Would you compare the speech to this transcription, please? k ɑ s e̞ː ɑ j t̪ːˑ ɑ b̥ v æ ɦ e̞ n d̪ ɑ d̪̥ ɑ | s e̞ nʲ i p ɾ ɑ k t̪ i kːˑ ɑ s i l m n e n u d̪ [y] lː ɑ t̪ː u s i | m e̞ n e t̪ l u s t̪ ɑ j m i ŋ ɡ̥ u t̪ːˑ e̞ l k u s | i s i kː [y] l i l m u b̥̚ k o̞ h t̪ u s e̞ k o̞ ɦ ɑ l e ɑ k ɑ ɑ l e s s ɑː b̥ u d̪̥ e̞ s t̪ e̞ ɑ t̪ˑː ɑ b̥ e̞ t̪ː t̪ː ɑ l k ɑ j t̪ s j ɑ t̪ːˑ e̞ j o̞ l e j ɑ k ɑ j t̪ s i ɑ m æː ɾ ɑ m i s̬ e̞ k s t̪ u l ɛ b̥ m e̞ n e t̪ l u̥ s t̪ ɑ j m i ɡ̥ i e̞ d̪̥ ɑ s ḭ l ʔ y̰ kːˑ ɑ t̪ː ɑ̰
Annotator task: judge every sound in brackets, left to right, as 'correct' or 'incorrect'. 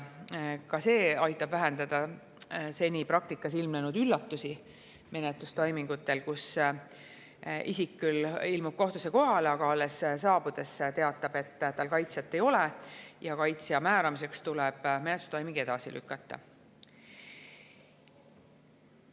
correct, correct

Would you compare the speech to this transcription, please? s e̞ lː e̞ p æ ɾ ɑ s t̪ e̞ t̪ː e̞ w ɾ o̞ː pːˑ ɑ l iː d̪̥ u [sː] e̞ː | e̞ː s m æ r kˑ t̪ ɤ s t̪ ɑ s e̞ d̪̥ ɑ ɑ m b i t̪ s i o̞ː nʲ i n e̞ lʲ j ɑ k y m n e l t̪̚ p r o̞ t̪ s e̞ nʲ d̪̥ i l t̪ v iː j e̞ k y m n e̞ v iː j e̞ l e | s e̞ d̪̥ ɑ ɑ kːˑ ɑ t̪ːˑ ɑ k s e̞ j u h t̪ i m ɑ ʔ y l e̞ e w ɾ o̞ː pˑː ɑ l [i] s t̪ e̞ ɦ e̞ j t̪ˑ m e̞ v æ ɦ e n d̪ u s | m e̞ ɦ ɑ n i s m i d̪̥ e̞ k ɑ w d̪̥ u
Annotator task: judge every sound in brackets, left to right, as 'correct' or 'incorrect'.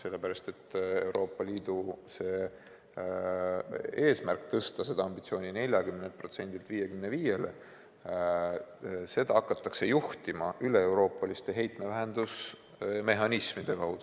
incorrect, correct

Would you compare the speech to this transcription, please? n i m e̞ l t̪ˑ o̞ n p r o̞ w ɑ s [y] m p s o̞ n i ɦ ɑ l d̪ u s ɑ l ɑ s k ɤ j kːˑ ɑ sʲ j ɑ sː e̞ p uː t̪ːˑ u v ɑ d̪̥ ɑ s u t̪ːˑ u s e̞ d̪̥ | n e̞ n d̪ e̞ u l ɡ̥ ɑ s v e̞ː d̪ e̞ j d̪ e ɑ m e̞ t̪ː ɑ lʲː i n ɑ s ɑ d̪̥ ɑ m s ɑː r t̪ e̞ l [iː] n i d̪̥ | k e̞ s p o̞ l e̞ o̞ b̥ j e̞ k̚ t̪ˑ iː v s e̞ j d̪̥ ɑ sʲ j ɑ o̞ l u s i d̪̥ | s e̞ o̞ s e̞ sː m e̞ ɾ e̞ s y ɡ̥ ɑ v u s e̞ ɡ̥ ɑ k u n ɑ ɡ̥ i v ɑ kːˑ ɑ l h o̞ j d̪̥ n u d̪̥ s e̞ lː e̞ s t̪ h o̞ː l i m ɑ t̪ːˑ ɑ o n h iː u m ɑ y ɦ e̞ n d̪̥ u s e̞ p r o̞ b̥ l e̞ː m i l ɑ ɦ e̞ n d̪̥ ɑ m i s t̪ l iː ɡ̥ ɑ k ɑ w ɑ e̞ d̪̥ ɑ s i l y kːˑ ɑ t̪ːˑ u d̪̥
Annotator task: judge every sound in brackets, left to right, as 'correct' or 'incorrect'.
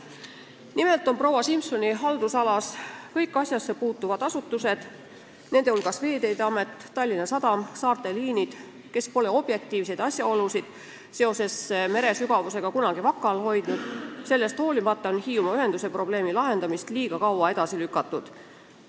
incorrect, correct

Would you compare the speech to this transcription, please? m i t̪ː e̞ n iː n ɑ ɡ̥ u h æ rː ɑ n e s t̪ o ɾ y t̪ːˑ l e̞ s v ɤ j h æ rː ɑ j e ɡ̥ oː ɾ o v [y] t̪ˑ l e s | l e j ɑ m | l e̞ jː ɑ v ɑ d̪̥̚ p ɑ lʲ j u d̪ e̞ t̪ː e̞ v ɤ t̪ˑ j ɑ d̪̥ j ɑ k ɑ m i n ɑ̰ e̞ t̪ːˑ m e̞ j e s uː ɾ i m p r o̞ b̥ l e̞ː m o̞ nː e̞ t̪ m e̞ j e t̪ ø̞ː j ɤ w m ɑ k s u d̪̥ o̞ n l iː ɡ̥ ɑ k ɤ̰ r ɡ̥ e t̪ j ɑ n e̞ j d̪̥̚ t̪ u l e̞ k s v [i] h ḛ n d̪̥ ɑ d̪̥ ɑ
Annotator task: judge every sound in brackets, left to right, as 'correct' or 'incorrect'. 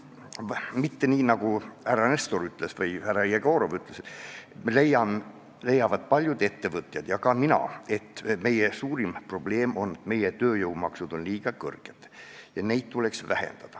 correct, incorrect

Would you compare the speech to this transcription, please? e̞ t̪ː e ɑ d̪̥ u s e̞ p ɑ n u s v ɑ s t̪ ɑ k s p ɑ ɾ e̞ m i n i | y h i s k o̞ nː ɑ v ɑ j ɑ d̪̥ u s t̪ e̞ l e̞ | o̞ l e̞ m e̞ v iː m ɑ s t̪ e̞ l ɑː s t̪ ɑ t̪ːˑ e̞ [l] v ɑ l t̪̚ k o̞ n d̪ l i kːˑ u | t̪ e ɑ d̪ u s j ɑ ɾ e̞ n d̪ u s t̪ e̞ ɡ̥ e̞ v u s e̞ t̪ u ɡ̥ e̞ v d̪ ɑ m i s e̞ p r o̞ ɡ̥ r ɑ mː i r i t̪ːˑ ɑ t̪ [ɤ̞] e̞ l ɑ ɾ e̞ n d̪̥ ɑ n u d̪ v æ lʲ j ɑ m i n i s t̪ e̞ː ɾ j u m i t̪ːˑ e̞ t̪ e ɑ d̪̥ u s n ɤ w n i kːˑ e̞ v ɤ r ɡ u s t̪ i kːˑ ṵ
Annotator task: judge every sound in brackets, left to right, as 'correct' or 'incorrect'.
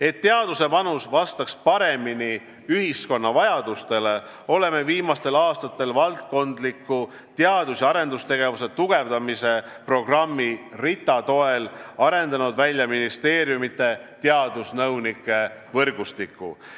correct, incorrect

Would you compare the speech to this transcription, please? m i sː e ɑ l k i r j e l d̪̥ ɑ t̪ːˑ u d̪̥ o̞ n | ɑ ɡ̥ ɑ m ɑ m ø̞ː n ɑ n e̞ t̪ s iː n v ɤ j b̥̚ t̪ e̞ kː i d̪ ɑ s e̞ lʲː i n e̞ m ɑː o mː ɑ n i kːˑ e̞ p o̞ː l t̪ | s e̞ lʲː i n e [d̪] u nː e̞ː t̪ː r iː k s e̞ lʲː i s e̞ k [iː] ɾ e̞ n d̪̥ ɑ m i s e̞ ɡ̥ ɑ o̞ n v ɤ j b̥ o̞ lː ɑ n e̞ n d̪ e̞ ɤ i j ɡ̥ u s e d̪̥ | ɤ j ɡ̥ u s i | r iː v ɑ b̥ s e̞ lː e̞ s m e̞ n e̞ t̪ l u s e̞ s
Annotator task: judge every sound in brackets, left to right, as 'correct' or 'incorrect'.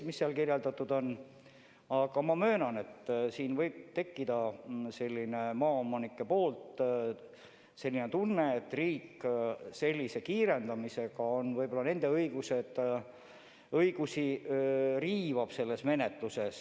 incorrect, correct

